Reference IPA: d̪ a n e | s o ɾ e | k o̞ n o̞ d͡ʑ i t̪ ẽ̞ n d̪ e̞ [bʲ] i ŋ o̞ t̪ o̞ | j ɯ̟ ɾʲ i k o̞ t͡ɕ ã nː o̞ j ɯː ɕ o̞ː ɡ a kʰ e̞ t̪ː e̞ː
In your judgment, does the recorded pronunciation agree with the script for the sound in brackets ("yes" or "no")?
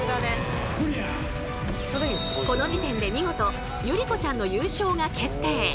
no